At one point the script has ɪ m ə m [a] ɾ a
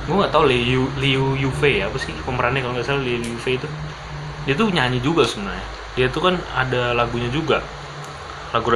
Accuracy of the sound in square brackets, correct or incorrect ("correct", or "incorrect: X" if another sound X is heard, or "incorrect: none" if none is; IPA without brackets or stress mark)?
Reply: incorrect: ə